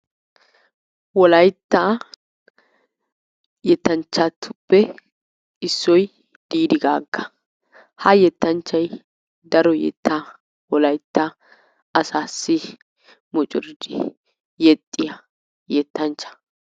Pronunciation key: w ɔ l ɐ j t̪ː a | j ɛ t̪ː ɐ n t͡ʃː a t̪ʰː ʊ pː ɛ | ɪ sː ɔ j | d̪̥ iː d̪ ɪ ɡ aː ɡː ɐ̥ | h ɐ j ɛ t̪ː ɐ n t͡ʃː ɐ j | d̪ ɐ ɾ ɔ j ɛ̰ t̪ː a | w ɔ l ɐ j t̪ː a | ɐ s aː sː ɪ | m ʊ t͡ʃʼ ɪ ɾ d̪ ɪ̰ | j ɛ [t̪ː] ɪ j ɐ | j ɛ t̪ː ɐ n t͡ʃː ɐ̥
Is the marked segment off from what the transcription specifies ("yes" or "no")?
yes